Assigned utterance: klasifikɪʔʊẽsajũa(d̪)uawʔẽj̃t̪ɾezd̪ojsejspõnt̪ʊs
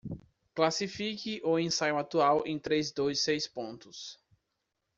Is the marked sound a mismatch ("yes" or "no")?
yes